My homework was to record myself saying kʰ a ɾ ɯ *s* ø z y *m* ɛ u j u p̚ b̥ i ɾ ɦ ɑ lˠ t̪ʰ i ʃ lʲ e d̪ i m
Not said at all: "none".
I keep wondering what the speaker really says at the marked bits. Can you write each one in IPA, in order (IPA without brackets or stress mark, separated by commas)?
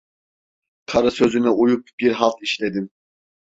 s, n